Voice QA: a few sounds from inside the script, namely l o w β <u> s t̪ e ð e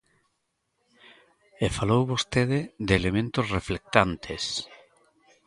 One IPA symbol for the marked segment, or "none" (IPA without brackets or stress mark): o